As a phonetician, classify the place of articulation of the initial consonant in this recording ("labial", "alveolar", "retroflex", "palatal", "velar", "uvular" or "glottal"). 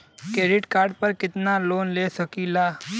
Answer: velar